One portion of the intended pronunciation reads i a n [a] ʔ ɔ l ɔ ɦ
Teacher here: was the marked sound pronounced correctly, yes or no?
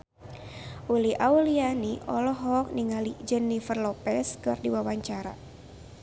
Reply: no